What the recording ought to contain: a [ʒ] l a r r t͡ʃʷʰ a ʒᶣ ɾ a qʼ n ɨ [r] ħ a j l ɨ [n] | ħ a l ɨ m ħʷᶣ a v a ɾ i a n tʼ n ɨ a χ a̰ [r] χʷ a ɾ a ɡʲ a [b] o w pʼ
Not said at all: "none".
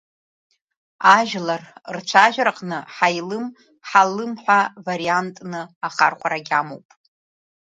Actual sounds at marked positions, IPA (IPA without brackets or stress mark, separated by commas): ʒ, none, m, r, m